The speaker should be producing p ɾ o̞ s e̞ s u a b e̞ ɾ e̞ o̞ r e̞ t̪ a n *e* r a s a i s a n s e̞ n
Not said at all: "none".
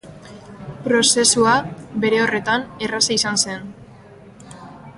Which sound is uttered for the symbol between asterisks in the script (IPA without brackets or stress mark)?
e